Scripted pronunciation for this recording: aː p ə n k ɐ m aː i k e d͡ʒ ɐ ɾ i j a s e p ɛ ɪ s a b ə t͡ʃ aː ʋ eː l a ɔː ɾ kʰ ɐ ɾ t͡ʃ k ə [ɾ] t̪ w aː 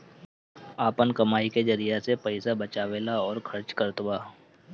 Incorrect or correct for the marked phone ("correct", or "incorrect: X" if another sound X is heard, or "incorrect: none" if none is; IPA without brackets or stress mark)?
correct